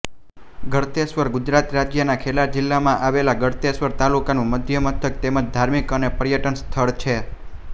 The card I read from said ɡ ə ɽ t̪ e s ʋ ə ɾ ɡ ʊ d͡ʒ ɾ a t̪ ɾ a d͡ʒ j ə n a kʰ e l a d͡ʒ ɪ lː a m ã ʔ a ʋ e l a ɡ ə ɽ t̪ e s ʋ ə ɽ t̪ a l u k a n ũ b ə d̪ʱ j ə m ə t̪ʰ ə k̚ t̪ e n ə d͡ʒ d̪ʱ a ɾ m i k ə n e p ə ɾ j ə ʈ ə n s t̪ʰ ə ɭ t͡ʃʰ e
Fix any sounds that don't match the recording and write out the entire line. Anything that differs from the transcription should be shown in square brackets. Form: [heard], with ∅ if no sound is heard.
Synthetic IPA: ɡ ə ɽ t̪ e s ʋ ə ɾ ɡ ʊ d͡ʒ ɾ a t̪ ɾ a d͡ʒ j ə n a kʰ e l a d͡ʒ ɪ lː a m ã ʔ a ʋ e l a ɡ ə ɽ t̪ e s ʋ ə [ɾ] t̪ a l u k a n ũ [m] ə d̪ʱ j ə m ə t̪ʰ ə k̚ t̪ e [m] ə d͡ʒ d̪ʱ a ɾ m i k ə n e p ə ɾ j ə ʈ ə n s t̪ʰ ə ɭ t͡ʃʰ e